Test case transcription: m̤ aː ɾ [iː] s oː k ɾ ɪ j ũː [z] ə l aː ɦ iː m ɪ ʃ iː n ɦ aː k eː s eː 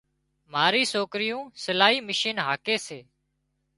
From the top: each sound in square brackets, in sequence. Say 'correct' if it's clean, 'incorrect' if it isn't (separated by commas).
correct, incorrect